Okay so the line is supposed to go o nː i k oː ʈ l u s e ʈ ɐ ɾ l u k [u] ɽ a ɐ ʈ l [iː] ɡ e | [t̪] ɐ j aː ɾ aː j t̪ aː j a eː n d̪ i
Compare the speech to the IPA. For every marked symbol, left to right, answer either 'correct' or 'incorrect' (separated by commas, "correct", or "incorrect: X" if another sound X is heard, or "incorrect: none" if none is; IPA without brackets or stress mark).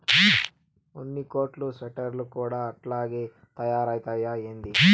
incorrect: uː, incorrect: aː, correct